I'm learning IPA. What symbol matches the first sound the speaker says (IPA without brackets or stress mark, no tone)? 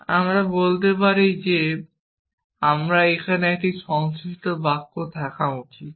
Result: a